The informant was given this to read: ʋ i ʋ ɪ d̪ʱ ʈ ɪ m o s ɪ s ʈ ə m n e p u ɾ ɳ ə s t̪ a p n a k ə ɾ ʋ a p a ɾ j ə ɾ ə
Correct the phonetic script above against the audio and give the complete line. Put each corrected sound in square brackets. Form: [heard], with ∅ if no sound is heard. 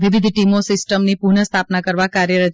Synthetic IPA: ʋ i ʋ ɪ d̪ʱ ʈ [i] m o s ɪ s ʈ ə m n [i] p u ɾ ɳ ə s [t̪ʰ] a p n a k ə ɾ ʋ a [k] a ɾ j ə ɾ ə